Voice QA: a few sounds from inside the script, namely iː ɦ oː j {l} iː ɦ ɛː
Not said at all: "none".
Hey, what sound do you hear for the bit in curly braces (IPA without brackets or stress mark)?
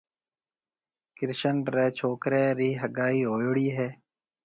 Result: ɽ